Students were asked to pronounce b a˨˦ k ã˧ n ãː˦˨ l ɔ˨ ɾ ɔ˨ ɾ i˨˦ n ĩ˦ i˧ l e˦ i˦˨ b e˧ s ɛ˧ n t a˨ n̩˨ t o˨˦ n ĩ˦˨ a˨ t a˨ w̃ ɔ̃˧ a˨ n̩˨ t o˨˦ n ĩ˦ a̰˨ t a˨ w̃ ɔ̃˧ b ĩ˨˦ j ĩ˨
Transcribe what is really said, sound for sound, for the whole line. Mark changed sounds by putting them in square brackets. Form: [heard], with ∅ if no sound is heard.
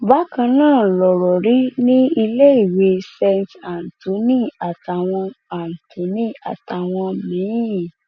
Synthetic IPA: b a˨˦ k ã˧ n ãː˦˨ l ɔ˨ ɾ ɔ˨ ɾ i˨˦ n ĩ˦ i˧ l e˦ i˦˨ [w] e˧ s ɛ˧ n t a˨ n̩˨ t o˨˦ n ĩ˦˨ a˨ t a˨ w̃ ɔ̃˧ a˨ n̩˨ t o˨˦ n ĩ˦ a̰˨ t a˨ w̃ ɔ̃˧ [m] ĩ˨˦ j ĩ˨